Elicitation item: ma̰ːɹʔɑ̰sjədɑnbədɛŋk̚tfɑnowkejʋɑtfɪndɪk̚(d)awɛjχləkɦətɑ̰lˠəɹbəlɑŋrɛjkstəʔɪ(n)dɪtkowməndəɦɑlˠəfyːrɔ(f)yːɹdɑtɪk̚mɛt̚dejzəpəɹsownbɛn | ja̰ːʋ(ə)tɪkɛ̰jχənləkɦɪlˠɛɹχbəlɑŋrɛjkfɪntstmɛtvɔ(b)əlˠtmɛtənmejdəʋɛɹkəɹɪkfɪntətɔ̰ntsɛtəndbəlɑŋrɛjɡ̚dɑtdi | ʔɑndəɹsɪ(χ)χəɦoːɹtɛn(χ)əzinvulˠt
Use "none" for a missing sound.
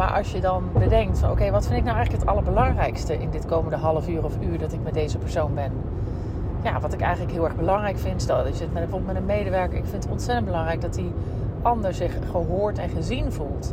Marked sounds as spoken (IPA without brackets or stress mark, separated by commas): n, n, f, ɑ, b, χ, χ